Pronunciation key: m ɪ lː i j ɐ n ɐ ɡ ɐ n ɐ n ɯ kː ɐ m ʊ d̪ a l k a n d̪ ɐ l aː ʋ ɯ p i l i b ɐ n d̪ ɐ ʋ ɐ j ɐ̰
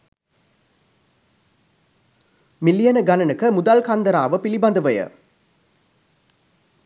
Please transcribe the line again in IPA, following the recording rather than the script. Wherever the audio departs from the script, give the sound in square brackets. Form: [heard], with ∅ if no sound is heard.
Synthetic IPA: m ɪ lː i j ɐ n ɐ ɡ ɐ n ɐ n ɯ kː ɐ m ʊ d̪ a l k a n d̪ ɐ [ɾ] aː ʋ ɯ p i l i b ɐ n d̪ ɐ ʋ ɐ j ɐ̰